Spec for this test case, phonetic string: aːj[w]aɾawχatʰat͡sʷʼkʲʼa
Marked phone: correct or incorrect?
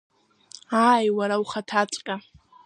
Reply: correct